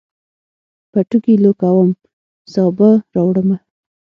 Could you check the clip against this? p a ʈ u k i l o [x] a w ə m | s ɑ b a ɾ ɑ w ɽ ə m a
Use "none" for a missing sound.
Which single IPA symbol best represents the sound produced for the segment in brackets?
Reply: k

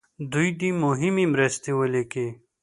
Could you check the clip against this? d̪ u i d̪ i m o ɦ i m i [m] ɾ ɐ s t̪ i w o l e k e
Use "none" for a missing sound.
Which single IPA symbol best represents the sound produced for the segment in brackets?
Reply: m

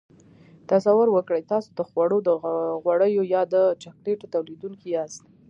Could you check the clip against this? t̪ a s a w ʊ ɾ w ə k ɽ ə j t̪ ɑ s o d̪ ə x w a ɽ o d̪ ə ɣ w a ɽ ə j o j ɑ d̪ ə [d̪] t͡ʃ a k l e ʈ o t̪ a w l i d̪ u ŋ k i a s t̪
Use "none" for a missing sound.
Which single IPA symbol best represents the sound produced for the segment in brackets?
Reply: none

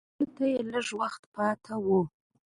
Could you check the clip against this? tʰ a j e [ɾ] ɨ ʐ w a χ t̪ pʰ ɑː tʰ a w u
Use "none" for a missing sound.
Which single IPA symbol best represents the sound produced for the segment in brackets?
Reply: l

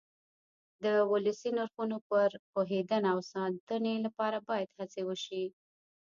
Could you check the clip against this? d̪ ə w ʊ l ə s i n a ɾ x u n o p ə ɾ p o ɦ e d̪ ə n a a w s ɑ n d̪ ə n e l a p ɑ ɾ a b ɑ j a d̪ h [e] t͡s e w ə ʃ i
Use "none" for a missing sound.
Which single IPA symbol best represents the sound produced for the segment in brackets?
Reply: a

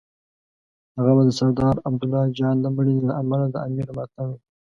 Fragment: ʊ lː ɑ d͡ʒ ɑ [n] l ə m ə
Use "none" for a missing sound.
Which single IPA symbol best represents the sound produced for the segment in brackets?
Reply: n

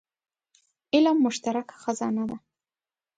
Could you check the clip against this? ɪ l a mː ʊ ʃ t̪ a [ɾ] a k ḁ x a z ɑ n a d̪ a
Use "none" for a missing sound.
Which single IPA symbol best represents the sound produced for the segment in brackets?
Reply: ɾ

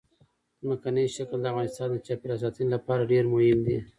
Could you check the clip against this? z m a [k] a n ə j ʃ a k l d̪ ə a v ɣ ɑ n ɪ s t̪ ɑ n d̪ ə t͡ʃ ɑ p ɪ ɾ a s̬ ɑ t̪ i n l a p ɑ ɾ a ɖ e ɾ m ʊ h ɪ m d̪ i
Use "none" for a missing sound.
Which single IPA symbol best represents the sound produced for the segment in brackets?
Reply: k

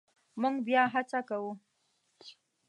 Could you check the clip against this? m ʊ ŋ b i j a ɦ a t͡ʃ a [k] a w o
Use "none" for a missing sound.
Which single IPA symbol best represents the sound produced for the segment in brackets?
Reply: k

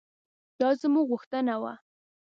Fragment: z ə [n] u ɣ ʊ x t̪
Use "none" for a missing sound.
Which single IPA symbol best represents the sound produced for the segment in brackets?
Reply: m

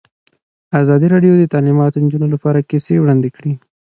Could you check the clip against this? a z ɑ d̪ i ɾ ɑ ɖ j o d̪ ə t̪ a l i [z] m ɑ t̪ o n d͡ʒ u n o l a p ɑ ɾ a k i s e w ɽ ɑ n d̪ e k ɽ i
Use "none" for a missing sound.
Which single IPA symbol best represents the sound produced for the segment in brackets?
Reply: none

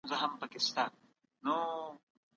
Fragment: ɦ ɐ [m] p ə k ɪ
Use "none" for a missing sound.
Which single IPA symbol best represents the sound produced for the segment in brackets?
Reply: m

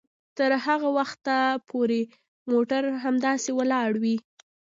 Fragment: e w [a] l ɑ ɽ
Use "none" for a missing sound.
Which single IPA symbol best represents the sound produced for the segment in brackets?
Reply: ə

